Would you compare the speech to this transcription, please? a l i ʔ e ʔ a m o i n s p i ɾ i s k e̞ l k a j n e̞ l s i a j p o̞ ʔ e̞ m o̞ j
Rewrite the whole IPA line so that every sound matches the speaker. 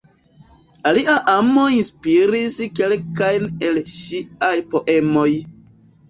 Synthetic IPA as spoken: a l i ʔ a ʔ a m o i n s p i ɾ i s k e̞ l k a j n e̞ l ʃ i a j p o̞ ʔ e̞ m o̞ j